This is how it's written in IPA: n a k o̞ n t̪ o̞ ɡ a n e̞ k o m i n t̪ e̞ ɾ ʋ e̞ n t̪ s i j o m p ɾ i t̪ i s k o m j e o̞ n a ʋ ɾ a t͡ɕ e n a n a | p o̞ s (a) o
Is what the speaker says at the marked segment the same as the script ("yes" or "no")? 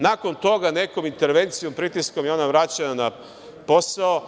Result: yes